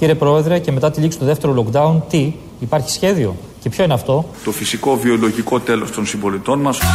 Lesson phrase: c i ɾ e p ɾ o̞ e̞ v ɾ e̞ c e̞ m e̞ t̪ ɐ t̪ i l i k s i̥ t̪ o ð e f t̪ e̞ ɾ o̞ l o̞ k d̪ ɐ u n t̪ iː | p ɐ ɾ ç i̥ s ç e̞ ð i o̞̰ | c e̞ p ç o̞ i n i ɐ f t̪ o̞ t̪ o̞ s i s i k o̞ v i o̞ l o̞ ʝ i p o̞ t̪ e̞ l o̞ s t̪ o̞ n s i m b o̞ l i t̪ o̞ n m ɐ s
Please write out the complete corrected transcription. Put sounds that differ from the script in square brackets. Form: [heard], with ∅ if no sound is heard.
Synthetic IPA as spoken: c i ɾ e p ɾ o̞ e̞ [ð] ɾ e̞ c e̞ m e̞ t̪ ɐ t̪ i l i k s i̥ t̪ o ð e f t̪ e̞ ɾ o̞ l o̞ k d̪ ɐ u n t̪ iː | p ɐ ɾ ç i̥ s ç e̞ ð i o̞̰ | c e̞ p ç o̞ i n [e] ɐ f t̪ o̞ t̪ o̞ [f] i s i k o̞ v i o̞ l o̞ ʝ i [k] o̞ t̪ e̞ l o̞ s t̪ o̞ n s i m b o̞ l i t̪ o̞ n m ɐ s